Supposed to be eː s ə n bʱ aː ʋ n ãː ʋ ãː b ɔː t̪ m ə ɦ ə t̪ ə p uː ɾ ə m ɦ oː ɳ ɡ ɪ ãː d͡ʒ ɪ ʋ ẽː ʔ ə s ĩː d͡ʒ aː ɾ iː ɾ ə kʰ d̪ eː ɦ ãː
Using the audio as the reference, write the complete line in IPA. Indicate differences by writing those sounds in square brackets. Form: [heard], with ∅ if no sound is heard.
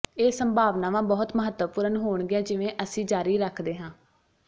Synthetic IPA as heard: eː s ə [m] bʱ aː ʋ n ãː ʋ ãː b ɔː t̪ m ə ɦ ə t̪ ə p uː ɾ ə [n] ɦ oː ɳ ɡ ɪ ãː d͡ʒ ɪ ʋ ẽː ʔ ə s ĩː d͡ʒ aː ɾ iː ɾ ə kʰ d̪ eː ɦ ãː